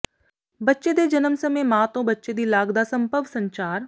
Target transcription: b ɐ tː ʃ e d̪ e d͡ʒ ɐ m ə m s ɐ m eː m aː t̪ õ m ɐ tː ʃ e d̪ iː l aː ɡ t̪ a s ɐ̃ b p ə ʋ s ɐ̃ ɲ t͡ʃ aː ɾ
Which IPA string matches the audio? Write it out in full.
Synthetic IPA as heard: b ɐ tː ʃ e d̪ e d͡ʒ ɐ n ə m s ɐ m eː m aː t̪ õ b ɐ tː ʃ e d̪ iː l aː ɡ d̪ a s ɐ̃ m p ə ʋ s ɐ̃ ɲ t͡ʃ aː ɾ